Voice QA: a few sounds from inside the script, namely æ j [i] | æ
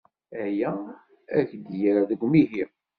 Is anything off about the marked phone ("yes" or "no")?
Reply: yes